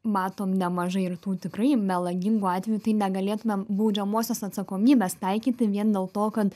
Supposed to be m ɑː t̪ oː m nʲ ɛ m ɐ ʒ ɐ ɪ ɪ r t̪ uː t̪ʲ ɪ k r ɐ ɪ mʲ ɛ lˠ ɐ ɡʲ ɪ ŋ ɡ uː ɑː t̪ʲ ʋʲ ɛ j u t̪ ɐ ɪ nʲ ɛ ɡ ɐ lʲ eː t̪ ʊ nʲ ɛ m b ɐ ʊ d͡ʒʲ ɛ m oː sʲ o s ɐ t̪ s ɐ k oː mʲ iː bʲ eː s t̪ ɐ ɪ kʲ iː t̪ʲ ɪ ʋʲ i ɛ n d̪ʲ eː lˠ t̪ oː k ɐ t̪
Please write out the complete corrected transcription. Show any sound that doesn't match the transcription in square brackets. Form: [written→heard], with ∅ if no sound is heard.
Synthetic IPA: m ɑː t̪ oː m nʲ ɛ m ɐ ʒ ɐ ɪ ɪ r t̪ uː t̪ʲ ɪ k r ɐ ɪ mʲ ɛ lˠ ɐ ɡʲ ɪ ŋ ɡ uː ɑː t̪ʲ ʋʲ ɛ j u t̪ ɐ ɪ nʲ ɛ ɡ ɐ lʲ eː t̪ ʊ [nʲ→mʲ] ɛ m b ɐ ʊ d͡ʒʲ ɛ m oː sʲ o s ɐ t̪ s ɐ k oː mʲ iː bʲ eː s t̪ ɐ ɪ kʲ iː t̪ʲ ɪ ʋʲ i ɛ n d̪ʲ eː lˠ t̪ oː k ɐ t̪

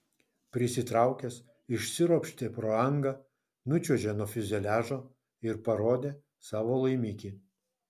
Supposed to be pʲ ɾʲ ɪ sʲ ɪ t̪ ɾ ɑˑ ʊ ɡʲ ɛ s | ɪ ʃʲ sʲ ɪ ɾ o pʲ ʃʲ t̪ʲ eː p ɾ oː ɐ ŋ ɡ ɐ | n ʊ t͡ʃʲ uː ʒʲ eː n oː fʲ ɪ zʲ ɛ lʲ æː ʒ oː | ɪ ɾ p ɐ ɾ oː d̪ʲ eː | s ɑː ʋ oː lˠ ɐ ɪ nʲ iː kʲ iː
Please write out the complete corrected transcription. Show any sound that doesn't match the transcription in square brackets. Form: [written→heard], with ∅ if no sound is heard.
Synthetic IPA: pʲ ɾʲ ɪ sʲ ɪ t̪ ɾ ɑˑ ʊ [ɡʲ→kʲ] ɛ s | ɪ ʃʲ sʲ ɪ ɾ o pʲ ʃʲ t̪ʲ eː p ɾ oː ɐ ŋ ɡ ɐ | n ʊ t͡ʃʲ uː ʒʲ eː n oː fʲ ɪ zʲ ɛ lʲ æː ʒ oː | ɪ ɾ p ɐ ɾ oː d̪ʲ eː | s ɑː ʋ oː lˠ ɐ ɪ [nʲ→mʲ] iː kʲ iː

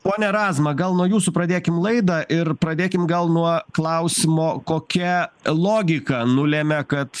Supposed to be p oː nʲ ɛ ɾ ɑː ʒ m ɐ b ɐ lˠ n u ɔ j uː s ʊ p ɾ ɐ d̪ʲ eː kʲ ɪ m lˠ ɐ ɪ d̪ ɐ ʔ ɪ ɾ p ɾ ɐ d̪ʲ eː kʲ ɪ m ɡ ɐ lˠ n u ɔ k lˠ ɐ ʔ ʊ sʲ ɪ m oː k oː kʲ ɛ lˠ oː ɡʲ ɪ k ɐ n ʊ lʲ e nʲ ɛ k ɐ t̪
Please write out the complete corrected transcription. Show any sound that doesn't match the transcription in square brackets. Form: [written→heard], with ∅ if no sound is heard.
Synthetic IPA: p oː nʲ ɛ ɾ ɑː [ʒ→z] m ɐ [b→ɡ] ɐ lˠ n u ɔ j uː s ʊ p ɾ ɐ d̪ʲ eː kʲ ɪ m lˠ ɐ ɪ d̪ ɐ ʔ ɪ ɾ p ɾ ɐ d̪ʲ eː kʲ ɪ m ɡ ɐ lˠ n u ɔ k lˠ ɐ [ʔ→∅] ʊ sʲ ɪ m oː k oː kʲ ɛ lˠ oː ɡʲ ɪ k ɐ n ʊ lʲ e [nʲ→mʲ] ɛ k ɐ t̪

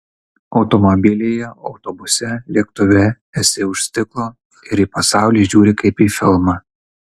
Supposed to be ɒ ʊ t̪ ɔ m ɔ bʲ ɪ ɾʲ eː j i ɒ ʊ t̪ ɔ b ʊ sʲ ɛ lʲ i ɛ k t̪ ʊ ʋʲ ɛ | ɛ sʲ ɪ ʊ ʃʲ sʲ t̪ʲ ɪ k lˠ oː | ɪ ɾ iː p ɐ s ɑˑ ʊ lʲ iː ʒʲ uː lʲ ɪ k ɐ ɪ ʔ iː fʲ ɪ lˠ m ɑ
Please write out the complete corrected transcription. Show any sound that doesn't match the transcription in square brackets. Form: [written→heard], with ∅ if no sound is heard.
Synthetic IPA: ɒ ʊ t̪ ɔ m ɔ bʲ ɪ [ɾʲ→lʲ] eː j [i→ɛ] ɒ ʊ t̪ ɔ b ʊ sʲ ɛ lʲ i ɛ k t̪ ʊ ʋʲ ɛ | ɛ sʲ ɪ ʊ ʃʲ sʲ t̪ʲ ɪ k lˠ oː | ɪ ɾ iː p ɐ s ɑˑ ʊ lʲ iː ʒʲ uː [lʲ→ɾʲ] ɪ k ɐ ɪ [ʔ→p] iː fʲ ɪ lˠ m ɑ

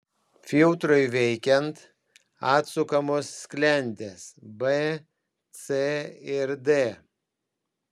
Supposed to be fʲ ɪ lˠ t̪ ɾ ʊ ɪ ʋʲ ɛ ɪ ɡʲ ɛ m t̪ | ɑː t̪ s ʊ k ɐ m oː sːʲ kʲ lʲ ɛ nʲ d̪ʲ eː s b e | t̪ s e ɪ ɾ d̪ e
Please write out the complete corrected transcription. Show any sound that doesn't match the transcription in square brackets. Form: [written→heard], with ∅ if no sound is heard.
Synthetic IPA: fʲ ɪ lˠ t̪ ɾ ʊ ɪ ʋʲ ɛ ɪ [ɡʲ→kʲ] ɛ [m→n] t̪ | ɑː t̪ s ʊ k ɐ m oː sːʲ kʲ lʲ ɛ nʲ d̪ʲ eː s b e | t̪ s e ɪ ɾ d̪ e

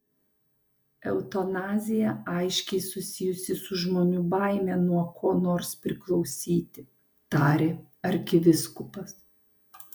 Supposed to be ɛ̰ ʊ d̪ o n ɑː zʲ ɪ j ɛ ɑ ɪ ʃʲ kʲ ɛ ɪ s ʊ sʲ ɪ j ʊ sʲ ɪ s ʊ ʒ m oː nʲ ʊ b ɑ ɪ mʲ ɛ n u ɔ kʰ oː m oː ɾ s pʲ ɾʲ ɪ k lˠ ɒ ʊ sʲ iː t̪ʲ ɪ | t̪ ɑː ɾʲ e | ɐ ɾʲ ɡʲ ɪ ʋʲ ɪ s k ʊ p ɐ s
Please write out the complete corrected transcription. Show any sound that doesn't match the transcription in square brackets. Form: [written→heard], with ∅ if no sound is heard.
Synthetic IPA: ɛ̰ ʊ [d̪→t̪] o n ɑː zʲ ɪ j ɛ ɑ ɪ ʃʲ kʲ ɛ ɪ s ʊ sʲ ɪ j ʊ sʲ ɪ s ʊ ʒ m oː nʲ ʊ b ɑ ɪ mʲ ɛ n u ɔ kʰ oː [m→n] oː ɾ s pʲ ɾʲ ɪ k lˠ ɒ ʊ sʲ iː t̪ʲ ɪ | t̪ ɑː ɾʲ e | ɐ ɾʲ [ɡʲ→kʲ] ɪ ʋʲ ɪ s k ʊ p ɐ s

